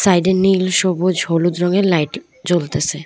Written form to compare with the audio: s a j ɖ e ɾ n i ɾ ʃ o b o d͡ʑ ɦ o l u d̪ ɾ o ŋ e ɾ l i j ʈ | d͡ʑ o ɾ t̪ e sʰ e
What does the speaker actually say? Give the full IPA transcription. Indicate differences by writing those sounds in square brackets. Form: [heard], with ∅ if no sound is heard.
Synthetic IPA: s a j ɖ e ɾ n i [l] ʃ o b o d͡ʑ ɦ o l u d̪ ɾ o ŋ e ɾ l [a] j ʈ | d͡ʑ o [l] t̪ e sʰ e